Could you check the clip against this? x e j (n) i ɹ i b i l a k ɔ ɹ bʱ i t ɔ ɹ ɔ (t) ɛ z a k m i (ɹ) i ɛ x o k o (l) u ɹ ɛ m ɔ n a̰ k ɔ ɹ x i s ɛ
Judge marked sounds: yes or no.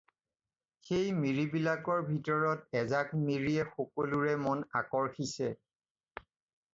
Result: no, yes, yes, yes

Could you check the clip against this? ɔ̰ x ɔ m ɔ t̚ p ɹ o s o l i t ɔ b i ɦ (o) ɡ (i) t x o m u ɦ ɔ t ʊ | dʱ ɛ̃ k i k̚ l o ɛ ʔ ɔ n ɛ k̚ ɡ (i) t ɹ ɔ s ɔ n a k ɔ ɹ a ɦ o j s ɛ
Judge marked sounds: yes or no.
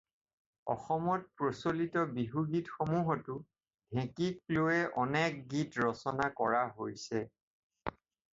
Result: no, yes, yes

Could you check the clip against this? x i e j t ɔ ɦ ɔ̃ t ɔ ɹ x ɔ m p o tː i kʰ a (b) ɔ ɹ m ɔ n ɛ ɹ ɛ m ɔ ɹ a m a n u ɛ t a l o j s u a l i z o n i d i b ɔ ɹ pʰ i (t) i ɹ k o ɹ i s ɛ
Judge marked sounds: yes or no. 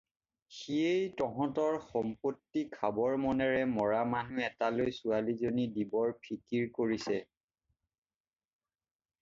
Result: yes, no

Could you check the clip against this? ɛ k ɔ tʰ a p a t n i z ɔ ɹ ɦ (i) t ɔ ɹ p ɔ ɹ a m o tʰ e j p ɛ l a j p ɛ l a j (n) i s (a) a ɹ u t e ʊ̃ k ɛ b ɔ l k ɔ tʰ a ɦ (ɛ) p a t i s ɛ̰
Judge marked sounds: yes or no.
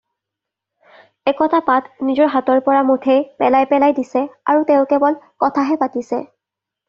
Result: no, no, no, yes

